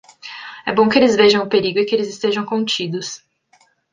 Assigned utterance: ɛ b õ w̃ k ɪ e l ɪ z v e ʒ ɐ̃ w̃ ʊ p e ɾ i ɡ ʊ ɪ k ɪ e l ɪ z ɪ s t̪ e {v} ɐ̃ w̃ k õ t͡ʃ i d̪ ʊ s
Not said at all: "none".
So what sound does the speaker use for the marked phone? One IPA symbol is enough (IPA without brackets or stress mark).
ʒ